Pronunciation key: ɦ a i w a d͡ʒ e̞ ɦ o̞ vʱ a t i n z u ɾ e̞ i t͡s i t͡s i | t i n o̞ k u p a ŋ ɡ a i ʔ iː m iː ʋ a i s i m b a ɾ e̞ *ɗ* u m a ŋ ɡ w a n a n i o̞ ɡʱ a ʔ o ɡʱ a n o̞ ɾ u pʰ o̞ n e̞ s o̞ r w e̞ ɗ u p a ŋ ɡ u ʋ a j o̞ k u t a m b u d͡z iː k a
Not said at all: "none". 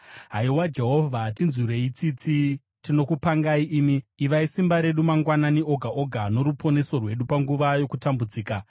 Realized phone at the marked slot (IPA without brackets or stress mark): ɗ